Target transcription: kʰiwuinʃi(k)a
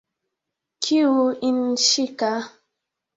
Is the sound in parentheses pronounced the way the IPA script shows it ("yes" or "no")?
yes